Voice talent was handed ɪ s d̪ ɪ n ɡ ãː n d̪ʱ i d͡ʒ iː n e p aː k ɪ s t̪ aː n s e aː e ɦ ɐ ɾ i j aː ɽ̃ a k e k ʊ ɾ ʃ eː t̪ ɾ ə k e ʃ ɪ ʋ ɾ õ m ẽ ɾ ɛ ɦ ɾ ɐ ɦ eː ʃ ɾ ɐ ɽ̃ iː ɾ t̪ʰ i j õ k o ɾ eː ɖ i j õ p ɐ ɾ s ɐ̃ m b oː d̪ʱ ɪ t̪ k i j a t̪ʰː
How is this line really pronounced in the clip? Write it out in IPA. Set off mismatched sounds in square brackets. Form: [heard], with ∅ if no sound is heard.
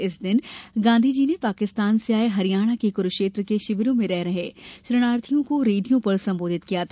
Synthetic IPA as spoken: ɪ s d̪ ɪ n ɡ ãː n d̪ʱ i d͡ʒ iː n e p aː k ɪ s t̪ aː n s e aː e ɦ ɐ ɾ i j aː ɽ̃ a k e k ʊ ɾ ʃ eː t̪ ɾ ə k e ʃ ɪ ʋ ɾ õ m ẽ ɾ ɛ ɦ ɾ ɐ ɦ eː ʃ ɾ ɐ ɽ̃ [aː] ɾ t̪ʰ i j õ k o ɾ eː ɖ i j õ p ɐ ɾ s ɐ̃ m b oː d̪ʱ ɪ t̪ k i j a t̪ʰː